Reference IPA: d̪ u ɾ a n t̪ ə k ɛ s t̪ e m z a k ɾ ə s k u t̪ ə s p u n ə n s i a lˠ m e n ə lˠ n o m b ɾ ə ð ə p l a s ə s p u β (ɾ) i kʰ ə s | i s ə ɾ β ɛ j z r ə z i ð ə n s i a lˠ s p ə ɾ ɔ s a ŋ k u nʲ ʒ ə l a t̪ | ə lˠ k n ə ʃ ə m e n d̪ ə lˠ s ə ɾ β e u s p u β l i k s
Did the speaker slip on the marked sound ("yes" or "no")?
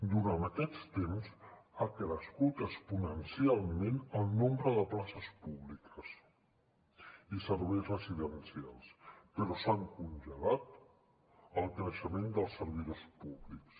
yes